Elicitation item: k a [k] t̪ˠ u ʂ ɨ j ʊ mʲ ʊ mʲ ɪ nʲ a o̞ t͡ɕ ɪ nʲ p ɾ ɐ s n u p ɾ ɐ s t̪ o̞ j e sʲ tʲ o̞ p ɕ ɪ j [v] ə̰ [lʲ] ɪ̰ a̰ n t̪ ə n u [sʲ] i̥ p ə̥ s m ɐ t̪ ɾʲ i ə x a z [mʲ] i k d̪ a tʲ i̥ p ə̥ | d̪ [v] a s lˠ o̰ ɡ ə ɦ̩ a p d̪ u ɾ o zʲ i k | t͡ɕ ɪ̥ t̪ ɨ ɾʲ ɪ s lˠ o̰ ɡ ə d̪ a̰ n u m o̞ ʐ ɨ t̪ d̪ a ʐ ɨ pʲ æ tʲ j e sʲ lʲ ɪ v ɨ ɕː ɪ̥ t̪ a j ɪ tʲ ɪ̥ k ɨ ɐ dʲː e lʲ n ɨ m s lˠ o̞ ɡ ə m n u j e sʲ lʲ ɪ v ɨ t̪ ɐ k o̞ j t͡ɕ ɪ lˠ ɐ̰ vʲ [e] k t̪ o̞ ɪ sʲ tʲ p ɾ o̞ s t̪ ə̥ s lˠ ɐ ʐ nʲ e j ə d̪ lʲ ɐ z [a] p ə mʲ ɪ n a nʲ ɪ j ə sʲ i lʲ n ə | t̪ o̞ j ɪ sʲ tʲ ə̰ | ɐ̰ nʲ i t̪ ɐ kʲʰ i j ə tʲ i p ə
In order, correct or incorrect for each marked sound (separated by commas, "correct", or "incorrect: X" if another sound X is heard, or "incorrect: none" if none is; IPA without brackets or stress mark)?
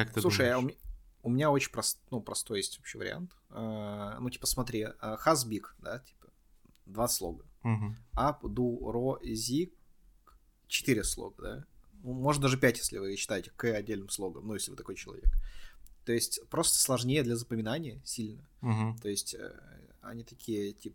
correct, correct, incorrect: ɾʲ, incorrect: tʲ, incorrect: bʲ, correct, correct, incorrect: ə